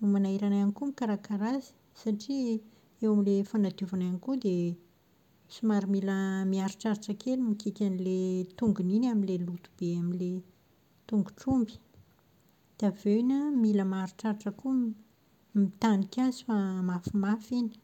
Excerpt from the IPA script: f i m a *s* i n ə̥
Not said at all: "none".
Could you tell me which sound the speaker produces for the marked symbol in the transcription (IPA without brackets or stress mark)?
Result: f